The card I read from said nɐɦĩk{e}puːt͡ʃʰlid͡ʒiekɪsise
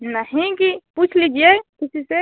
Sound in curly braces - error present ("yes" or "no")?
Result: yes